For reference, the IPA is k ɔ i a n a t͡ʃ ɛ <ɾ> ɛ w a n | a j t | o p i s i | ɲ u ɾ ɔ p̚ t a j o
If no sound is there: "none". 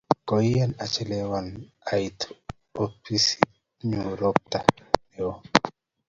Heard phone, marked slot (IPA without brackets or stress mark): l